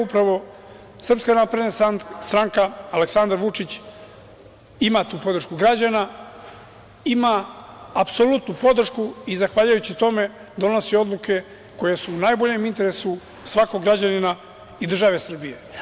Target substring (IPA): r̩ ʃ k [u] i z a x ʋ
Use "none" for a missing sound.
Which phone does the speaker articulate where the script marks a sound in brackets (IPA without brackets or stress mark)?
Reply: u